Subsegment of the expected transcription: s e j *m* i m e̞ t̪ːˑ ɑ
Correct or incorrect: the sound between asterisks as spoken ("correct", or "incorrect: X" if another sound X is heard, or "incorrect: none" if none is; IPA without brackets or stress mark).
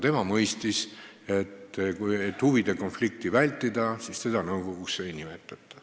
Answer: incorrect: n